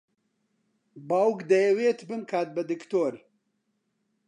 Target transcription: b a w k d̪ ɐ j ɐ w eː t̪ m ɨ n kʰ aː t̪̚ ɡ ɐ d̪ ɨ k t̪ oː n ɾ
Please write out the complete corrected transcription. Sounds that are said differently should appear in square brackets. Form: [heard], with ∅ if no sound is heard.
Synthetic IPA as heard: b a w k d̪ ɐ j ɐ w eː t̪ [b] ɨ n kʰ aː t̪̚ [b] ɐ d̪ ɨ k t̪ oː [∅] ɾ